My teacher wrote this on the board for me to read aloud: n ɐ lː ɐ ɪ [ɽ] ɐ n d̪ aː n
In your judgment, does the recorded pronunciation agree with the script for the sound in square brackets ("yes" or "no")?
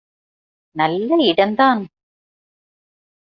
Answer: yes